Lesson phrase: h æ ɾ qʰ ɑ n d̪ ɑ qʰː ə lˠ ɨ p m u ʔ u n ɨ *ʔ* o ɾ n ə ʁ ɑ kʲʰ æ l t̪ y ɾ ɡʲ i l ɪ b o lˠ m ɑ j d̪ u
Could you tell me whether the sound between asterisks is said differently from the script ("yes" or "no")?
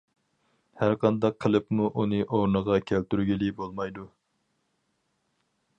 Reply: no